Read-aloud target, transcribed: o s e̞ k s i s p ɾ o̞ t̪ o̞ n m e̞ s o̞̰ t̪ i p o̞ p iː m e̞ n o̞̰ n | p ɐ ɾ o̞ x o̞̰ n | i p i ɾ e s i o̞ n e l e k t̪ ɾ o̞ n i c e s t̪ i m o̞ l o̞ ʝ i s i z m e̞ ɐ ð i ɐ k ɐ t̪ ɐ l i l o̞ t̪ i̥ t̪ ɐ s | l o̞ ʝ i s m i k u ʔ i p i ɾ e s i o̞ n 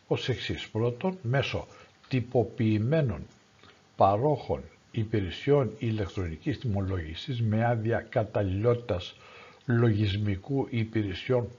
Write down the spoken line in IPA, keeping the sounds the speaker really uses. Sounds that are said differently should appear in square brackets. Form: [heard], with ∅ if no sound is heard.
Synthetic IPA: o s e̞ k s i s p ɾ o̞ t̪ o̞ n m e̞ s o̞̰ t̪ i p o̞ p iː m e̞ n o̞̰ n | p ɐ ɾ o̞ x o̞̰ n | i p i ɾ e s i o̞ n [i] l e k t̪ ɾ o̞ n i c [i] s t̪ i m o̞ l o̞ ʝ i s i z m e̞ ɐ ð i ɐ k ɐ t̪ ɐ l i l o̞ t̪ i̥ t̪ ɐ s | l o̞ ʝ i [z] m i k u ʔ i p i ɾ e s i o̞ n